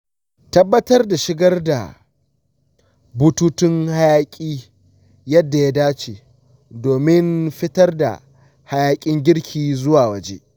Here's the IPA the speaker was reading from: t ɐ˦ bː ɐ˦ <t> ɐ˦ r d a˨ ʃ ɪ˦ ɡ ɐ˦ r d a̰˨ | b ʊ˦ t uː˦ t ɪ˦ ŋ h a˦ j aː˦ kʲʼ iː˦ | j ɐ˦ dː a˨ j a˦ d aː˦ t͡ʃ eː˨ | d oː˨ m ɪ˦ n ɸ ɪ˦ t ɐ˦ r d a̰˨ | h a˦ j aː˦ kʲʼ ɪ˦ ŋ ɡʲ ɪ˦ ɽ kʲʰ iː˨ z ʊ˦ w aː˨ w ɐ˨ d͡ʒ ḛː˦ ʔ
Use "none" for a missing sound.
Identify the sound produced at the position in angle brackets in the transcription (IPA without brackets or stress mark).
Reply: t